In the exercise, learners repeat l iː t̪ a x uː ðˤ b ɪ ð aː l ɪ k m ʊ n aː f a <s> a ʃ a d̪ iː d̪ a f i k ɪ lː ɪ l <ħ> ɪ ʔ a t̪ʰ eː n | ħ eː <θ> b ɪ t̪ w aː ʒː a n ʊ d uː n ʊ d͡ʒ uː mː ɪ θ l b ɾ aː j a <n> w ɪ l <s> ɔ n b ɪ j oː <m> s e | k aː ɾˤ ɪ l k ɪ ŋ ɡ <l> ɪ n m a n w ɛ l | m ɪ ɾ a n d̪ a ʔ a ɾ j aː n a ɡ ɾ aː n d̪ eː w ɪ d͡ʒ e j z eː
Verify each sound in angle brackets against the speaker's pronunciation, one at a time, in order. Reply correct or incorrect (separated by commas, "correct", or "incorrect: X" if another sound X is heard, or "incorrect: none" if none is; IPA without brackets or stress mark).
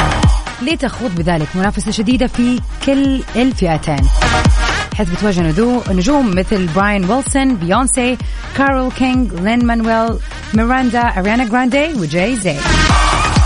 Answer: correct, incorrect: f, correct, correct, correct, incorrect: n, correct